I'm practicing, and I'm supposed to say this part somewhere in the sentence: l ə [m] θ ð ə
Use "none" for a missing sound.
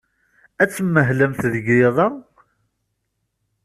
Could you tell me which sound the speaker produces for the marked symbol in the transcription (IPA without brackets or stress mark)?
m